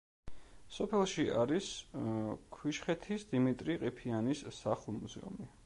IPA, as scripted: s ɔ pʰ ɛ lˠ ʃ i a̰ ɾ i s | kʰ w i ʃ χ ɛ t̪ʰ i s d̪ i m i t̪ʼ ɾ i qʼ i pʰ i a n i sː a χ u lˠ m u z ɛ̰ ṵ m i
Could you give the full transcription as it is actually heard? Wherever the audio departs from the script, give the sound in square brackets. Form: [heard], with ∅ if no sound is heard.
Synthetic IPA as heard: s ɔ pʰ ɛ lˠ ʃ i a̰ ɾ i s | kʰ w i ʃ χ ɛ t̪ʰ i s d̪ i m i t̪ʼ ɾ i qʼ i pʰ i a n i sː a χ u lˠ m u z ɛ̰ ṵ m i